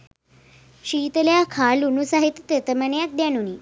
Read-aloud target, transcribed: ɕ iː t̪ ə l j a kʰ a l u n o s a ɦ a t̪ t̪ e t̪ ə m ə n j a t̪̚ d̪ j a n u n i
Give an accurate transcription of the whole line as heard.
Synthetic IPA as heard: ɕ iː t̪ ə l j a kʰ a l u n u s a ɦ i t̪ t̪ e t̪ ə m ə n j a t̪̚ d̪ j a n u n i